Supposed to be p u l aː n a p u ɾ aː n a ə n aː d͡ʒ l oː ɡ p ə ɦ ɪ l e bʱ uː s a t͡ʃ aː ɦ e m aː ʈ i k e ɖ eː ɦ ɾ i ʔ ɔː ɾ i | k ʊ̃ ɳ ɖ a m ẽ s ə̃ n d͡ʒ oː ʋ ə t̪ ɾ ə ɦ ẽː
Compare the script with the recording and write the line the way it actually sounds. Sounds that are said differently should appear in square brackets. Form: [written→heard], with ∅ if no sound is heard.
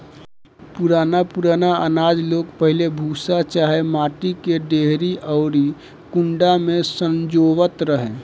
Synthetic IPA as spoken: p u [l→ɾ] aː n a p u ɾ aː n a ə n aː d͡ʒ l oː ɡ p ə ɦ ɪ l e bʱ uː s a t͡ʃ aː ɦ e m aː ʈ i k e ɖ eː ɦ ɾ i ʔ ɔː ɾ i | k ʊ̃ ɳ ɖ a m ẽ s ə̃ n d͡ʒ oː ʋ ə t̪ ɾ ə ɦ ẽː